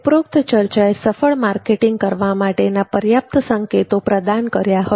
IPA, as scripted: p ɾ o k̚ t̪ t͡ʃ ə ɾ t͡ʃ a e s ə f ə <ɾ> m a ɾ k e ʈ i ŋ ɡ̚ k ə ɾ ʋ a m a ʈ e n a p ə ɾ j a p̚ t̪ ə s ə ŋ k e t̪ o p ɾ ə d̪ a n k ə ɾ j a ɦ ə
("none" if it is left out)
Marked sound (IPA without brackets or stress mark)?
ɭ